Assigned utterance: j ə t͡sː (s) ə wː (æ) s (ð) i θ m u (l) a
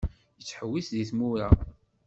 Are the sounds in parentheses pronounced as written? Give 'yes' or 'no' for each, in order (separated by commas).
no, no, yes, no